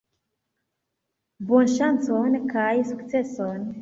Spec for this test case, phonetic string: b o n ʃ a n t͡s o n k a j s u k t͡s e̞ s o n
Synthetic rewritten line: b o n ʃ a n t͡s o n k a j s u k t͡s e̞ s o n